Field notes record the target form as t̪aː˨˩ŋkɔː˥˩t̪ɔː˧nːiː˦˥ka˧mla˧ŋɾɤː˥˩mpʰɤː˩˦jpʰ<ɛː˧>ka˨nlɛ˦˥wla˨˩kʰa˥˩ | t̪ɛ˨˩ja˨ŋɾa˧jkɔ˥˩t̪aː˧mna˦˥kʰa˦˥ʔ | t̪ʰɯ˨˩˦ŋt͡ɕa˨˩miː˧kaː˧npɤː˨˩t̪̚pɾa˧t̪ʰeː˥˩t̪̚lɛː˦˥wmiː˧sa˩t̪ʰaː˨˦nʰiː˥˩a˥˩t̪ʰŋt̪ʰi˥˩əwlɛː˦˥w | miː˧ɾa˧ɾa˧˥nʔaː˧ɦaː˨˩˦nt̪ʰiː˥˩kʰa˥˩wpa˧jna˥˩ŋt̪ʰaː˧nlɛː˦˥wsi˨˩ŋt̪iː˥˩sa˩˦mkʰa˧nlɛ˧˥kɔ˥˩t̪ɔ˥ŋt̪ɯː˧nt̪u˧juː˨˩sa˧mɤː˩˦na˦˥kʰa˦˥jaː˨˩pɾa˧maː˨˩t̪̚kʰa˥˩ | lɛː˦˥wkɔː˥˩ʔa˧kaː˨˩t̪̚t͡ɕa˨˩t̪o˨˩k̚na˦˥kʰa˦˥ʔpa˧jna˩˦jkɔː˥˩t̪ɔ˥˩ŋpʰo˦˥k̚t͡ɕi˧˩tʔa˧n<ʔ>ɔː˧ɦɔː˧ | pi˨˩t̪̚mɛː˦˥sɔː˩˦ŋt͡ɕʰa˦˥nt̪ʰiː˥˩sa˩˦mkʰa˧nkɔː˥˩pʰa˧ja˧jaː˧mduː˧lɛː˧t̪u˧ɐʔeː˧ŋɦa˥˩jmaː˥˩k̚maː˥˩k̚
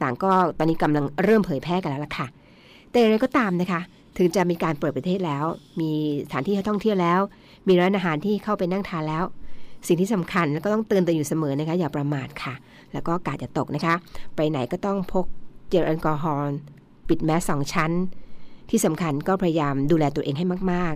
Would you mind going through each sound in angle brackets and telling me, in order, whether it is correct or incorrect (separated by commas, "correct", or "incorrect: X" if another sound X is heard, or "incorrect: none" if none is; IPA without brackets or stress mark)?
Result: incorrect: ɛː˥˩, incorrect: k